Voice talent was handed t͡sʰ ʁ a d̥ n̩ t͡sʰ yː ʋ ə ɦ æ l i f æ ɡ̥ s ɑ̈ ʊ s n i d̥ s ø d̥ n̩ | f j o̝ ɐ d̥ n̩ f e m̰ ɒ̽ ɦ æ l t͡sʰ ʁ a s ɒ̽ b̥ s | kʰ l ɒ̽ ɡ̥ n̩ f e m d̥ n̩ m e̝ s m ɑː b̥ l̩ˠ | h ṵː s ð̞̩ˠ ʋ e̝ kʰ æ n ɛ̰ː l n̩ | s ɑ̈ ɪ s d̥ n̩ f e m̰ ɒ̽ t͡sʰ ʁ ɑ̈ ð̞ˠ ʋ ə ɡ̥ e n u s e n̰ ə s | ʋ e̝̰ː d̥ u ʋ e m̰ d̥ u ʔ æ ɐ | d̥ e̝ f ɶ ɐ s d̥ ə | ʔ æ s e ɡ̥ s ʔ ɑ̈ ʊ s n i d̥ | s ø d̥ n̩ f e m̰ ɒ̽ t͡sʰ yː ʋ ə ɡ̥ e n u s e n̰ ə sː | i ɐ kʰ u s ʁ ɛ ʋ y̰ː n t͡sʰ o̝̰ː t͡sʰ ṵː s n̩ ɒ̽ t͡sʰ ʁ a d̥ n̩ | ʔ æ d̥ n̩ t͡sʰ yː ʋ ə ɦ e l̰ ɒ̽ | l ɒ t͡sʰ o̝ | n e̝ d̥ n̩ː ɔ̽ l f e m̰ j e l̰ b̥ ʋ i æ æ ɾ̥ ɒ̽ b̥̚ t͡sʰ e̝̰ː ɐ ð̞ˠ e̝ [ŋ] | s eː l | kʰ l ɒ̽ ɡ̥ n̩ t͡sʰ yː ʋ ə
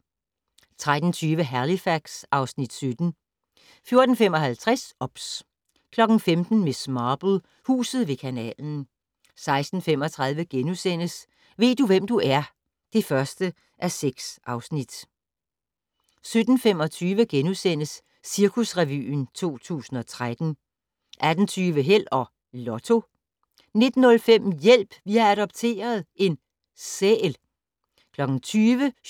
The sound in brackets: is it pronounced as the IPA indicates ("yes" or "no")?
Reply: no